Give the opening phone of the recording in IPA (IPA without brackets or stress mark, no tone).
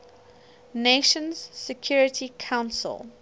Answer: n